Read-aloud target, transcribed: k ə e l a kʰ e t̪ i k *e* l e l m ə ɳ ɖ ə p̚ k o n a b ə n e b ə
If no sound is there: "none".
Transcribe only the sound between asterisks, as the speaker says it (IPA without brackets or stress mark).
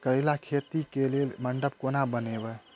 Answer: e